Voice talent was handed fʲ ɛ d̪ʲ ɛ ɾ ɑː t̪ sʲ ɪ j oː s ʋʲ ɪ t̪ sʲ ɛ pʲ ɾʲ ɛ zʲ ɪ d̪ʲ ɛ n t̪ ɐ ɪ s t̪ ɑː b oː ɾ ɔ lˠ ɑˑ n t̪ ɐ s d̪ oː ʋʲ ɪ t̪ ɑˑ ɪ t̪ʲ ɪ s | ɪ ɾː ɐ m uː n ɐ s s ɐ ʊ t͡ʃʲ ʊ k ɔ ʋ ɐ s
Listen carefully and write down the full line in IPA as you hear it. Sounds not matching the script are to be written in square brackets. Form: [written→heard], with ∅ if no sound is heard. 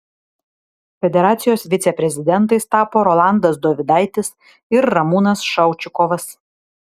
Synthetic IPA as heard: fʲ ɛ d̪ʲ ɛ ɾ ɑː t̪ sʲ ɪ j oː s ʋʲ ɪ t̪ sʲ ɛ pʲ ɾʲ ɛ zʲ ɪ d̪ʲ ɛ n t̪ ɐ ɪ s t̪ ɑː [b→p] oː ɾ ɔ lˠ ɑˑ n [t̪→d̪] ɐ s d̪ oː ʋʲ ɪ [t̪→d̪] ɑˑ ɪ t̪ʲ ɪ s | ɪ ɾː ɐ m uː n ɐ s [s→ʃ] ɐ ʊ t͡ʃʲ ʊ k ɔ ʋ ɐ s